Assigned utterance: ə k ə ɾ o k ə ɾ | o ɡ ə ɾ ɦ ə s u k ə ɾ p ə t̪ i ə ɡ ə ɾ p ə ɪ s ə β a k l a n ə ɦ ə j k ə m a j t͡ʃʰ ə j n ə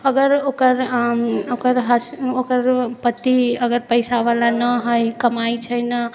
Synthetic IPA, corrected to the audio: ə ɡ ə ɾ o k ə ɾ | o k ə ɾ ɦ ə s o k ə ɾ p ə t̪ i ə ɡ ə ɾ p ə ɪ s a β a l a n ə ɦ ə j k ə m a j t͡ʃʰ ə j n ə